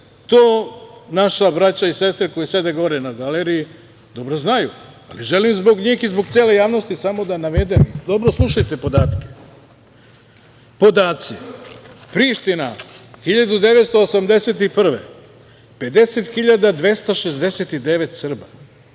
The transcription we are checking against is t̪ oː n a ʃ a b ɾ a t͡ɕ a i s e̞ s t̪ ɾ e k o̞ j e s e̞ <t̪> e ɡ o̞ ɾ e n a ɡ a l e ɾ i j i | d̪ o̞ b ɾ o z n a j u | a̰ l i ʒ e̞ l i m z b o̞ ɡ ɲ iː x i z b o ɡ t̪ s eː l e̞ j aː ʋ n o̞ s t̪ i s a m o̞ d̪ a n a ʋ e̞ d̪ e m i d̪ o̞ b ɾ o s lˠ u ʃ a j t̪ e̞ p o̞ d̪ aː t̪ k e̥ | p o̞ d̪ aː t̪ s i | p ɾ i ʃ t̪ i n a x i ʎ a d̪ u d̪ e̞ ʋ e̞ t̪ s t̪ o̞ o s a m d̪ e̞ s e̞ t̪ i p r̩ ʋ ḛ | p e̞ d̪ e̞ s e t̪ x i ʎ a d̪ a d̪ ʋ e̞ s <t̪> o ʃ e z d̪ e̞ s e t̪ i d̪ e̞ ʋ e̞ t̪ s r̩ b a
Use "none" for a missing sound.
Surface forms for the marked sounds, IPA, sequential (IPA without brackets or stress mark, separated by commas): d̪, t̪